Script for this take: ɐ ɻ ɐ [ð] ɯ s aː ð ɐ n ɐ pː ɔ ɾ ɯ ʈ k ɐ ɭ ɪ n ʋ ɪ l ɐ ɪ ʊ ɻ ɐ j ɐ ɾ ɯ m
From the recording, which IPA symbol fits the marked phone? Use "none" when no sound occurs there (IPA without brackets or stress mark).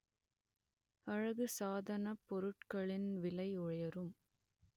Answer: ɣ